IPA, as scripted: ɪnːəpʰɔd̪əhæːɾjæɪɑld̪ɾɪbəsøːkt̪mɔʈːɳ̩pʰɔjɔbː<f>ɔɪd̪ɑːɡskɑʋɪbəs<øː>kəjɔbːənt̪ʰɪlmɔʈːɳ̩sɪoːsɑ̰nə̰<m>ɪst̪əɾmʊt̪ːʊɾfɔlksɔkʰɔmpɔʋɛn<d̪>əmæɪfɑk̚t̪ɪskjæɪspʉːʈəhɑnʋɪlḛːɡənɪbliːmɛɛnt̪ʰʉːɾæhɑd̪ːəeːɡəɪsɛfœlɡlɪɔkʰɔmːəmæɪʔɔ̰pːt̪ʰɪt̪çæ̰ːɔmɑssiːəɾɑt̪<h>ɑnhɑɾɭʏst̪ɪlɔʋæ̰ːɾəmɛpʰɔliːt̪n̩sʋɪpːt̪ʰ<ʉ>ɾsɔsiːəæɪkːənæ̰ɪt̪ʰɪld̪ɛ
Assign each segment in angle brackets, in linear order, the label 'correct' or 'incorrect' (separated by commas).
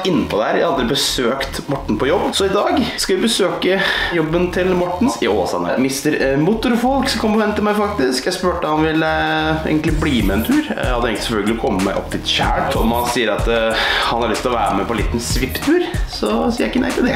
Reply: incorrect, correct, correct, incorrect, correct, incorrect